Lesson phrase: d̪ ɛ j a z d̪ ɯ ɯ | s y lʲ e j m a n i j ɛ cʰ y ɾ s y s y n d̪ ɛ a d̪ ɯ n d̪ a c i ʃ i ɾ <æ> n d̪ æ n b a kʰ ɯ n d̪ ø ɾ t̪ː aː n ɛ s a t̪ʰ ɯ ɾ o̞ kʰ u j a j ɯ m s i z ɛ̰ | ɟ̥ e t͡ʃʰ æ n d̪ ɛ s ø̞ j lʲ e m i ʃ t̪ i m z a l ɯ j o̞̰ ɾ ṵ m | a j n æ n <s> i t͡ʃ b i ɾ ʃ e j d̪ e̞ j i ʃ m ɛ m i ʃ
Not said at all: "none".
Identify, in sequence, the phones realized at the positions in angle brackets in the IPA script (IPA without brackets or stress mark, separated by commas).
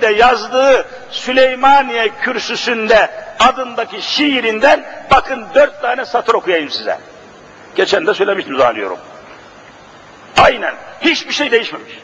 i, h